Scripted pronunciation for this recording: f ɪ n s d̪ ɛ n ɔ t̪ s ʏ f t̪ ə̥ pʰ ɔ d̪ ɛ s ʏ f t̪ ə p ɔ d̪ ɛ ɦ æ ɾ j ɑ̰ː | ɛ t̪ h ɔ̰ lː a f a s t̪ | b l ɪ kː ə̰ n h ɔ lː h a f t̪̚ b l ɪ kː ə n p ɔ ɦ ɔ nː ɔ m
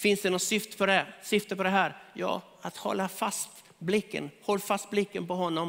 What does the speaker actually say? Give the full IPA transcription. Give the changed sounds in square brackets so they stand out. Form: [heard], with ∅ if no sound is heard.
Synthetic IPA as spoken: f ɪ n s d̪ ɛ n ɔ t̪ s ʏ f t̪ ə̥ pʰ ɔ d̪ ɛ s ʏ f t̪ ə p ɔ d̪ ɛ ɦ [æː] ɾ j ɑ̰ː | [a] t̪ h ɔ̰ lː a f a s t̪ | b l ɪ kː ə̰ n h ɔ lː [f] a [s] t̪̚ b l ɪ kː ə n p ɔ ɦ ɔ nː ɔ m